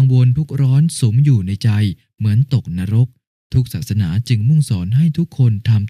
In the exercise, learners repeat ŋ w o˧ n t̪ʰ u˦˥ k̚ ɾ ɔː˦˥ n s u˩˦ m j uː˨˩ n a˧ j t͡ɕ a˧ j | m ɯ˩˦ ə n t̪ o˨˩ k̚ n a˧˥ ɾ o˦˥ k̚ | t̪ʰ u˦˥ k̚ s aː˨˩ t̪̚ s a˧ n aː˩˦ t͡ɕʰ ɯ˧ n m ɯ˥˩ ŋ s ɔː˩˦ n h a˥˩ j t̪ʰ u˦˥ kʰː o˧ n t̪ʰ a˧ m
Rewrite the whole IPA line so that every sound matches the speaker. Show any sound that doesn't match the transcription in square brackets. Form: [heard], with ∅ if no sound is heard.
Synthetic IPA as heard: ŋ w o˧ n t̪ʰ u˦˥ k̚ ɾ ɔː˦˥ n s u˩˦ m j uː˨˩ n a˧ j t͡ɕ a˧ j | m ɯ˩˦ ə n t̪ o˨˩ k̚ n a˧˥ ɾ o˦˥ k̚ | t̪ʰ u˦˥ k̚ s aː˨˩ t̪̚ s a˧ n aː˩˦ [t͡ɕ] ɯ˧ [ŋ] m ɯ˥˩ ŋ s ɔː˩˦ n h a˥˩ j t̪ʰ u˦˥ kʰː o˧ n t̪ʰ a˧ m